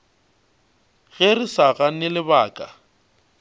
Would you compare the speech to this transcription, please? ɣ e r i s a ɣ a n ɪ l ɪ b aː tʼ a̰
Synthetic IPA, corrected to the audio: ɣ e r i s a ɣ a n ɪ l ɪ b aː kʼ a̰